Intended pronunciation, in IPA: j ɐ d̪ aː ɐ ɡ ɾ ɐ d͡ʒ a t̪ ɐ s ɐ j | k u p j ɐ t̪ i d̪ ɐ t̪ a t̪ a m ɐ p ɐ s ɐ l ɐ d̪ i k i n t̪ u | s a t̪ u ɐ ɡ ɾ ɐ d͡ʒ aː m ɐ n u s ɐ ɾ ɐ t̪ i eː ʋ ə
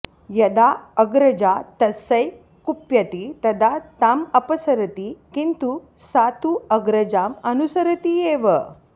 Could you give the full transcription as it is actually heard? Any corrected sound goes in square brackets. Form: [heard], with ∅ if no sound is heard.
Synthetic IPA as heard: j ɐ d̪ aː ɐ ɡ ɾ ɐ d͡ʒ a t̪ ɐ s ɐ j | k u p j ɐ t̪ i [t̪] ɐ [d̪] a t̪ a m ɐ p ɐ s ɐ [ɾ] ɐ [t̪] i k i n t̪ u | s a t̪ u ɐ ɡ ɾ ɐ d͡ʒ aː m ɐ n u s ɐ ɾ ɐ t̪ i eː ʋ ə